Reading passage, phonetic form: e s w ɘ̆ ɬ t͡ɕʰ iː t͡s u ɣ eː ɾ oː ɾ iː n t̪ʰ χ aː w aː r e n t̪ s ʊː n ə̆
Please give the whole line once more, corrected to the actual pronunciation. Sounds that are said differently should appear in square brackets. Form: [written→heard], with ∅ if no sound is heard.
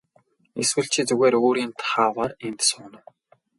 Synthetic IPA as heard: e s w ɘ̆ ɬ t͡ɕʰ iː t͡s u ɣ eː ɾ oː ɾ iː n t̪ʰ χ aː w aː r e n t̪ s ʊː n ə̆